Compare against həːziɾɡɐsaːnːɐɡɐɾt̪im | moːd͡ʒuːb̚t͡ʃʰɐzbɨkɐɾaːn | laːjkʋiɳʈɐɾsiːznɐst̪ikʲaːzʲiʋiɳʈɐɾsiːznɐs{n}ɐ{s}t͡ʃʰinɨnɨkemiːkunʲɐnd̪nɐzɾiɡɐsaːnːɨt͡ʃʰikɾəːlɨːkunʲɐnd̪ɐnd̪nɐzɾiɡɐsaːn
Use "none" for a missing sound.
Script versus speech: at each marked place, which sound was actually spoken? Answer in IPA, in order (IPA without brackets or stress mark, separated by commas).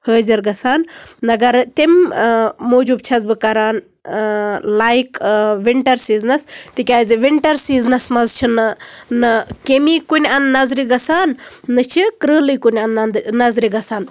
m, z